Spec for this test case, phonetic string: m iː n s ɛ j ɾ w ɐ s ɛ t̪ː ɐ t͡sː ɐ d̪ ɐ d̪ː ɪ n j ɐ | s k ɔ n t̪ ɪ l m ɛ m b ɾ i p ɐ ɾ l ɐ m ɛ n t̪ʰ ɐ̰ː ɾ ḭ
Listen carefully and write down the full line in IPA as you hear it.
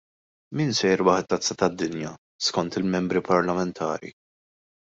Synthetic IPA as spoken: m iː n s ɛ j ɾ w ɐ ħ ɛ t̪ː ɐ t͡sː ɐ t̪ ɐ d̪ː ɪ n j ɐ | s k ɔ n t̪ ɪ l m ɛ m b ɾ i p ɐ ɾ l ɐ m ɛ n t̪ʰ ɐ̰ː ɾ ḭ